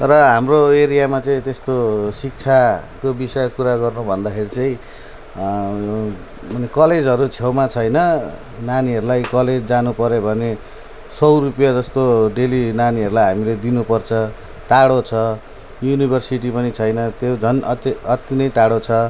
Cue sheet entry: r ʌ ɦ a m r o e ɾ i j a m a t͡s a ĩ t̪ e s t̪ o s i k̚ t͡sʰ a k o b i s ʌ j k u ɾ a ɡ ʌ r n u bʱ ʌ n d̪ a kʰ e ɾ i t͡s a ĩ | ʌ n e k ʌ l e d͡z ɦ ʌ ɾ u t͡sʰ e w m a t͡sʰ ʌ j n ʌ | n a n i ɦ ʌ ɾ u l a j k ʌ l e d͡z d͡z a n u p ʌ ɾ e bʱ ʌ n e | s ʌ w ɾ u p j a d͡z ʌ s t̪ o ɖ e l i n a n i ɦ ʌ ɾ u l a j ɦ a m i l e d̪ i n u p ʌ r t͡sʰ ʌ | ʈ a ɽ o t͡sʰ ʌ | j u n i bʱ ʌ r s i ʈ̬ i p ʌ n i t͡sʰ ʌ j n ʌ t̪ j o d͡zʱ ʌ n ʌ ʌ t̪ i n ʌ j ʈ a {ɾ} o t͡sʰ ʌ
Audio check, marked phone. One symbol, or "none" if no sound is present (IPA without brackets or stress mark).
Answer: ɽ